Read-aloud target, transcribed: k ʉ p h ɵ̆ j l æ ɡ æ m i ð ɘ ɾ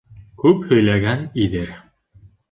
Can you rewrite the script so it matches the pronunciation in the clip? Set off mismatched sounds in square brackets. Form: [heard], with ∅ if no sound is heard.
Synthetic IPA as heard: k ʉ p h ɵ̆ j l æ ɡ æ [n] i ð ɘ ɾ